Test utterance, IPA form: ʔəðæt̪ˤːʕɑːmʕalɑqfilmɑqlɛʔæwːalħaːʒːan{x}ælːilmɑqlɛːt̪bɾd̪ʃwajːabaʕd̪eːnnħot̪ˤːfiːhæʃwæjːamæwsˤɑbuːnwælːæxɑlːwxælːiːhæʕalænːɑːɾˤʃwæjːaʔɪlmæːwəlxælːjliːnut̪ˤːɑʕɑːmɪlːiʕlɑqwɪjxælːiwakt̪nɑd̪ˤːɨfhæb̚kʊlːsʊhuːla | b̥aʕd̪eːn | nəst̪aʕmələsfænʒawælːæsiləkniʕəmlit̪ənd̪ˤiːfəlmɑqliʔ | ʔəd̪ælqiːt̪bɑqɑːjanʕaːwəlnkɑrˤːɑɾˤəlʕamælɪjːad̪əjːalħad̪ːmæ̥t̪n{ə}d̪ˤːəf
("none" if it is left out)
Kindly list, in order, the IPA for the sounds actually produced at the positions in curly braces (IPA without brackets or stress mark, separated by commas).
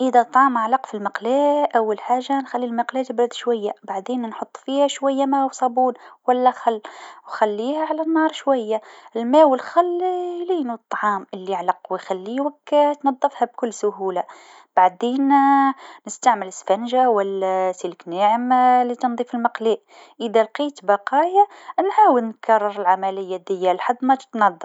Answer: x, ɑ